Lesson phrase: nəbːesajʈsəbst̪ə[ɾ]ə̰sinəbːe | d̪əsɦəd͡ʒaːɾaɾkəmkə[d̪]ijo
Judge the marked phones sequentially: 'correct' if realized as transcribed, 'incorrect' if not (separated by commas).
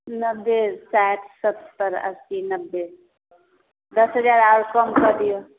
correct, correct